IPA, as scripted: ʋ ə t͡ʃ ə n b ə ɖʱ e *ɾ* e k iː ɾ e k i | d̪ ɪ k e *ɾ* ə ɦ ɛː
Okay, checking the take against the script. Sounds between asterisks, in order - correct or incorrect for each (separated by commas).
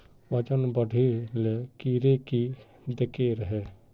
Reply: incorrect, correct